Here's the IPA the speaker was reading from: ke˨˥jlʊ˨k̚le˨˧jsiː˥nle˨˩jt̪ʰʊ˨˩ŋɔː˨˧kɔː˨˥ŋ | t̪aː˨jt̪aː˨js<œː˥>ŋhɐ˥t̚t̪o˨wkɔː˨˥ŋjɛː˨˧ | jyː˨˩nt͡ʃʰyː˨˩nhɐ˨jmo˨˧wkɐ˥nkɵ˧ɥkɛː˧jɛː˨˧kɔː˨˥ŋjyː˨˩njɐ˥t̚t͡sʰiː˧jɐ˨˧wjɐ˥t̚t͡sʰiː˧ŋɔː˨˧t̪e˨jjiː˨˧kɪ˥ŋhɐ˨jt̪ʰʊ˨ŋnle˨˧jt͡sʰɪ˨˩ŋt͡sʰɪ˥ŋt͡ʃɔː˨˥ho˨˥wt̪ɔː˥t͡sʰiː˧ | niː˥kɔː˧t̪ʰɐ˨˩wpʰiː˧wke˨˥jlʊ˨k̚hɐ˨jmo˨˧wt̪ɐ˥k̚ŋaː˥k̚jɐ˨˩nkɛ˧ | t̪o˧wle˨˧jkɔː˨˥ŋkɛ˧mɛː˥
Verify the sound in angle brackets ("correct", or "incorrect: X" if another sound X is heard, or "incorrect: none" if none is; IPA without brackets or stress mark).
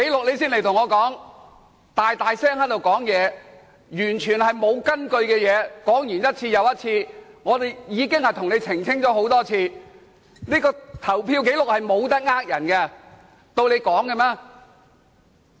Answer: incorrect: ɛː˥